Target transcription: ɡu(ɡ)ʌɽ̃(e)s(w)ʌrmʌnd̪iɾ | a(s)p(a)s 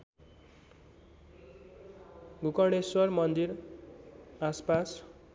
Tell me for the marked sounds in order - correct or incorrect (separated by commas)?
incorrect, correct, correct, correct, correct